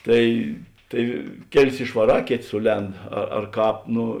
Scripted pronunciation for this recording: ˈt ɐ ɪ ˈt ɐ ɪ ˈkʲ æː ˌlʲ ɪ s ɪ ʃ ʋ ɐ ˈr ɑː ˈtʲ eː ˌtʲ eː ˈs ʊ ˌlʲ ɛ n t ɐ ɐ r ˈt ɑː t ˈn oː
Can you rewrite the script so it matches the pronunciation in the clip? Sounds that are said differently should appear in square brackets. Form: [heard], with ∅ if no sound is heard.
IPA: ˈt ɐ ɪ ˈt ɐ ɪ ˈkʲ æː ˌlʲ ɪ s ɪ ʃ ʋ ɐ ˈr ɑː [ˈkʲ] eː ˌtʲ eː ˈs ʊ ˌlʲ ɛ n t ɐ ɐ r [ˈk] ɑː [p] ˈn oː

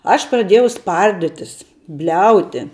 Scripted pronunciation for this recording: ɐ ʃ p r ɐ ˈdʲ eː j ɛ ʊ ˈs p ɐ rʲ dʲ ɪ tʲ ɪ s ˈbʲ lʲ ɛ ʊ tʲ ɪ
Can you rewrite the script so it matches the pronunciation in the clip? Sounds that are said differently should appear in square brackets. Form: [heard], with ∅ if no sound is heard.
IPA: ɐ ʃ p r ɐ ˈdʲ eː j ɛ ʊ ˈs p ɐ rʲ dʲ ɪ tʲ ɪ s ˈbʲ lʲ ɛ ʊ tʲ ɪ

